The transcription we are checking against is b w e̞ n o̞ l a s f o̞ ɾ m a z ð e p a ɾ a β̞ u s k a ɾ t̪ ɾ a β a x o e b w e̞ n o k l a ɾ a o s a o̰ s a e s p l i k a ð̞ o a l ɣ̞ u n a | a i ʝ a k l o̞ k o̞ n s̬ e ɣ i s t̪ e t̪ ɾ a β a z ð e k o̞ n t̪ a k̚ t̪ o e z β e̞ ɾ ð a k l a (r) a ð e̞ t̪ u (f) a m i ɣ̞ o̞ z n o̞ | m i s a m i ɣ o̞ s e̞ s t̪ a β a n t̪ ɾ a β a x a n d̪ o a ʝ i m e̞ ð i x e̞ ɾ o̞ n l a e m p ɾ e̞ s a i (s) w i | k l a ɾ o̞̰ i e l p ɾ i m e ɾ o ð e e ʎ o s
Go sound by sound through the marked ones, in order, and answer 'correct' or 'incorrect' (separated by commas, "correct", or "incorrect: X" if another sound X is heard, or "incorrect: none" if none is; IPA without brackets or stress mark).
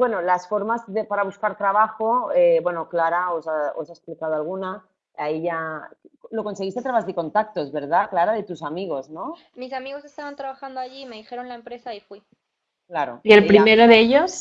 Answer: incorrect: ɾ, incorrect: s, incorrect: f